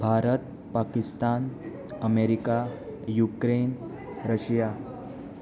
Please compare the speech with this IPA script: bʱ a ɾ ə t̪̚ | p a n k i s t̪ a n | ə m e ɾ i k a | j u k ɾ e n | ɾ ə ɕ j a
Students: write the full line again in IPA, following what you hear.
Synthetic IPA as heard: bʱ a ɾ ə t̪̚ | p a k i s t̪ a n | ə m e ɾ i k a | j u k ɾ e n | ɾ ə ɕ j a